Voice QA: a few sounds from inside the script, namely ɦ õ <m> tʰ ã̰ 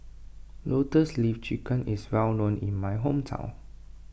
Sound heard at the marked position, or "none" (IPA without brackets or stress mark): m